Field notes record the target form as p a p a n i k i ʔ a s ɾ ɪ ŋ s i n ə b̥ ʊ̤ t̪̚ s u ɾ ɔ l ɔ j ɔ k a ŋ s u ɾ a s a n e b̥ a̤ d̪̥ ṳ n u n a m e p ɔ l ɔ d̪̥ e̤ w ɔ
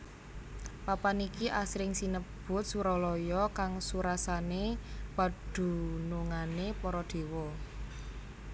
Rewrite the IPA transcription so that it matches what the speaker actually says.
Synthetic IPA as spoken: p a p a n i k i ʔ a s ɾ ɪ ŋ s i n ə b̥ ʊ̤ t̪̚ s u ɾ ɔ l ɔ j ɔ k a ŋ s u ɾ a s a n e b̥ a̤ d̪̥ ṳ n u ŋ a n e p ɔ ɾ ɔ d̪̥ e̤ w ɔ